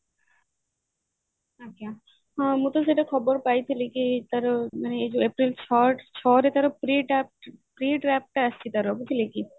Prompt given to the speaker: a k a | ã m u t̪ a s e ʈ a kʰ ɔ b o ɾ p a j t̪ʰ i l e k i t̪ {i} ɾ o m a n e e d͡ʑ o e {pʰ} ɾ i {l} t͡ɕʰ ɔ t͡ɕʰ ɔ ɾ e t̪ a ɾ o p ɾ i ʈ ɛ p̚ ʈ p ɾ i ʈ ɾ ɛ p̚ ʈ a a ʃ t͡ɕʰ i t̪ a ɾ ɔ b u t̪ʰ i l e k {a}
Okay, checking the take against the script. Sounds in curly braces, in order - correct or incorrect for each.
incorrect: a, incorrect: p, correct, incorrect: i

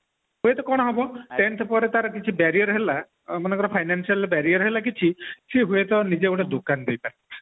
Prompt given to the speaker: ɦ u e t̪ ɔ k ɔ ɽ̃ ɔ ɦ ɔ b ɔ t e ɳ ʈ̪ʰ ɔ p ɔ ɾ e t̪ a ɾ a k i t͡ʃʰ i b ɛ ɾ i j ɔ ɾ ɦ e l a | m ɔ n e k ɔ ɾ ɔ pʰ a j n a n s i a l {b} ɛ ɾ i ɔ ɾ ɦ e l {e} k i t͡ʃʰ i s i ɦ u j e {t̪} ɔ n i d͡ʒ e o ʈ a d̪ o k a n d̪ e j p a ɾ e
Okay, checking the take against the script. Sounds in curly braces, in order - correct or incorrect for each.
correct, incorrect: a, correct

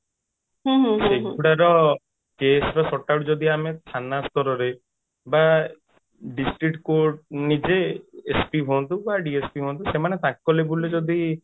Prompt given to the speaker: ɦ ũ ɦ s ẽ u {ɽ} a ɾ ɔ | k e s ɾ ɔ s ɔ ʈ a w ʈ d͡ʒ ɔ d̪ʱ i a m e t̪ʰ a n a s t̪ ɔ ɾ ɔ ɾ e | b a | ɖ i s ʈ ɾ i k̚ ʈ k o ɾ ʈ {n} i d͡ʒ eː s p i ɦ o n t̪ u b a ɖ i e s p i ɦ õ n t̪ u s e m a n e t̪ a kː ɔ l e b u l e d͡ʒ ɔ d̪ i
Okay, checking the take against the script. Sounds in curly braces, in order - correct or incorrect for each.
correct, correct

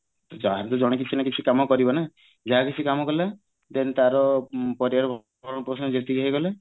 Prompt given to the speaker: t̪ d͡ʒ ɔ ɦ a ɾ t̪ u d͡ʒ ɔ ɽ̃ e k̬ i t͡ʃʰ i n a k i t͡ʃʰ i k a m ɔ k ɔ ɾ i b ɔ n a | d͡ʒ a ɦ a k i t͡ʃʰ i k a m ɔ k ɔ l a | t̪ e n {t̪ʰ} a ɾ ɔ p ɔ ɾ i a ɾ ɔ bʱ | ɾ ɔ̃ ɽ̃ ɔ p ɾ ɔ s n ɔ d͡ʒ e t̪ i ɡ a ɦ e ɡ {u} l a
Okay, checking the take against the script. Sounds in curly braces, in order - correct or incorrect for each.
incorrect: t̪, incorrect: ɔ

